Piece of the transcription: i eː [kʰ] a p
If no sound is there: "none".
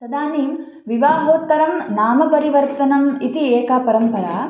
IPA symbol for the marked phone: k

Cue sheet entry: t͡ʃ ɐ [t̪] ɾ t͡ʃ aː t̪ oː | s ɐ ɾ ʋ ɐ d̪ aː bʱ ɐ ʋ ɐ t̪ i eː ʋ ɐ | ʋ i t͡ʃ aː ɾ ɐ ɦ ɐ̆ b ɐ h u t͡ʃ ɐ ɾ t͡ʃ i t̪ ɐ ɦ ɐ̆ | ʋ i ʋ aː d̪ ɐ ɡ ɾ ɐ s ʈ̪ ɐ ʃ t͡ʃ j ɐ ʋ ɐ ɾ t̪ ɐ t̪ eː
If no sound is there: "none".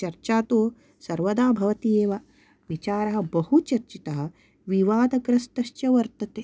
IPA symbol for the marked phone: none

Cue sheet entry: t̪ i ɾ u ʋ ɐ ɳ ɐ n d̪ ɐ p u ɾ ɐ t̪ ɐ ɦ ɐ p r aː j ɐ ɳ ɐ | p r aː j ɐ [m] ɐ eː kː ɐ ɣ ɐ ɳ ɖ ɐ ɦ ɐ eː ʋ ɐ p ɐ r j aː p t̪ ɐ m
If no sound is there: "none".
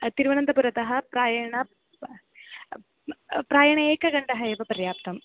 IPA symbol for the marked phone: ɳ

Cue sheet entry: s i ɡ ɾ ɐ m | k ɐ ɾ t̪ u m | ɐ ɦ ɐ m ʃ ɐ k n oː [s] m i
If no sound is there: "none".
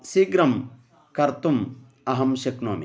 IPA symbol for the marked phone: none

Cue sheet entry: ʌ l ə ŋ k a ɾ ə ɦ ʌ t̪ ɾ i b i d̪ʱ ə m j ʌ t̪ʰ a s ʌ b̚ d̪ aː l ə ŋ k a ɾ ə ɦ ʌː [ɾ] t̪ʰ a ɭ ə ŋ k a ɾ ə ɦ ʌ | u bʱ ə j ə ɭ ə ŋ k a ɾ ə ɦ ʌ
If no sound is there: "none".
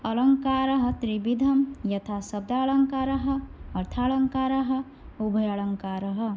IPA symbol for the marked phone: ɾ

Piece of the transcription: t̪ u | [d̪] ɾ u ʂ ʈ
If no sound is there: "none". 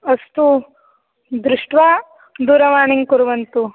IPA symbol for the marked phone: d̪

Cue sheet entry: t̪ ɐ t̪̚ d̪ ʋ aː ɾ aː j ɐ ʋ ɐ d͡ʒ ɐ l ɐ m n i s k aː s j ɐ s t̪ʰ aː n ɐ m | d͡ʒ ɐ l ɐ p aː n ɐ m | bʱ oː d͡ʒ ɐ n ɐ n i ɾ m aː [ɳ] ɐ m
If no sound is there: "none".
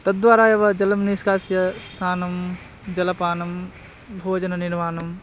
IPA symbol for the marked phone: n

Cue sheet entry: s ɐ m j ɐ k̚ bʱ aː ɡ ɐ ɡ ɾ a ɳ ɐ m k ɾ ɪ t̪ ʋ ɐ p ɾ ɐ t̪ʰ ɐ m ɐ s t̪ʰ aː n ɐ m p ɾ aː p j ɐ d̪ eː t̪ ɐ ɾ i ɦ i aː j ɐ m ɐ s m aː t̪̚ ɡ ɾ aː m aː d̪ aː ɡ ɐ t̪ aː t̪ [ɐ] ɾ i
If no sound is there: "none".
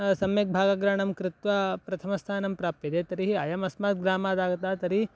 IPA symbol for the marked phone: ɐ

